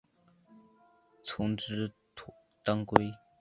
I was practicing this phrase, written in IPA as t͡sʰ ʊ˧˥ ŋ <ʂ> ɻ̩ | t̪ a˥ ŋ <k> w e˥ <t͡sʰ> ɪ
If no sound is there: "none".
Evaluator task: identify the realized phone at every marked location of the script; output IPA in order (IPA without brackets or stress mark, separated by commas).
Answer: ʈ͡ʂ, k, none